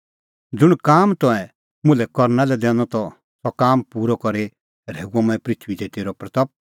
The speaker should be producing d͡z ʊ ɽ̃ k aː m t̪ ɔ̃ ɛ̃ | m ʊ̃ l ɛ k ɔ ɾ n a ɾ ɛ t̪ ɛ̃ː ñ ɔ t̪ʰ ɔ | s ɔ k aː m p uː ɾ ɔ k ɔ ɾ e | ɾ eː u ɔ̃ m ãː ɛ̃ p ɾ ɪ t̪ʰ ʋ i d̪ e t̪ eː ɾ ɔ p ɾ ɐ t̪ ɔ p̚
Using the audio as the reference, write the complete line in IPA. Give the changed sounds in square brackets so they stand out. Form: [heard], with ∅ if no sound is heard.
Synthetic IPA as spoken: d͡z ʊ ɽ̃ k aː m t̪ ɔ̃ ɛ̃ | m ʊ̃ l ɛ k ɔ ɾ n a [l] ɛ [d̪] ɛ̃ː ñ ɔ [t̪] ɔ | s ɔ k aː m p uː ɾ ɔ k ɔ ɾ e | ɾ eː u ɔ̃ m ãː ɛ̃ p ɾ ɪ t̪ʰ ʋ i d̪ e t̪ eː ɾ ɔ p ɾ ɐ t̪ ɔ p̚